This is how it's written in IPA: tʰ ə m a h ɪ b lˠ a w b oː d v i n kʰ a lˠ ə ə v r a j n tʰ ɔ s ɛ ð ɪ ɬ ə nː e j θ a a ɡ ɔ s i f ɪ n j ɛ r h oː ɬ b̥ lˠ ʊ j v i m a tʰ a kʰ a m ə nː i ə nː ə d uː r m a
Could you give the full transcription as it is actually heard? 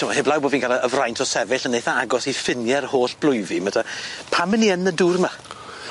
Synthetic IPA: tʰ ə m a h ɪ b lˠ a w b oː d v i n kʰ a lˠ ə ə v r a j n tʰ ɔ s ɛ v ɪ ɬ ə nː e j θ a a ɡ ɔ s i f ɪ n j ɛ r h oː ɬ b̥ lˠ ʊ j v i m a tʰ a pʰ a m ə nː i ə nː ə d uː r m a

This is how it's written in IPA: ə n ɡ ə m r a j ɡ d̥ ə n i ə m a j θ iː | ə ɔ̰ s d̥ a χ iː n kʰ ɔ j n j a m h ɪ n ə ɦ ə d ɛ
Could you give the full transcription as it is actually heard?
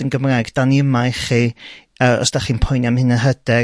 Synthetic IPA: ə n ɡ ə m r a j ɡ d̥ a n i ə m a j χ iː | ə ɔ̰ s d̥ a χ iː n pʰ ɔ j n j a m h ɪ n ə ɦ ə d ɛ

